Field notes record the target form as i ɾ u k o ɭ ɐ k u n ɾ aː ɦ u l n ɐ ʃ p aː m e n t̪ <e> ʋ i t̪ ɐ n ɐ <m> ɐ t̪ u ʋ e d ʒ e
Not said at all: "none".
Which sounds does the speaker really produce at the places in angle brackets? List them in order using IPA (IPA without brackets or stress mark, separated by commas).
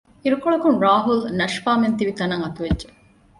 i, ŋ